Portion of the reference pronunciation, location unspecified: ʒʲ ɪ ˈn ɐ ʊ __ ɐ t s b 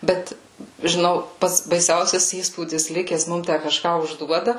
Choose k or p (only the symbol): p